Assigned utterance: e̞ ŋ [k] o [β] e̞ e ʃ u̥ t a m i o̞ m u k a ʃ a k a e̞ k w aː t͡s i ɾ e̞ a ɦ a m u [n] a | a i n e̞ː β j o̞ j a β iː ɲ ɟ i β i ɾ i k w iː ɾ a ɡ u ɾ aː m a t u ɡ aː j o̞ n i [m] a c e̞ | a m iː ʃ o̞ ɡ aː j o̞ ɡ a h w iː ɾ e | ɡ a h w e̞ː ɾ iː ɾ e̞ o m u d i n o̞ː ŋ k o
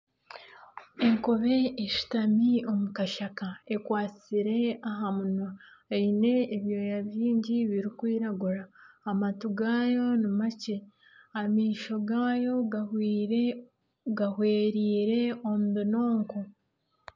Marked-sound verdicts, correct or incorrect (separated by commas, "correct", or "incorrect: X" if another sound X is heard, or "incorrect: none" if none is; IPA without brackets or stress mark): correct, correct, correct, correct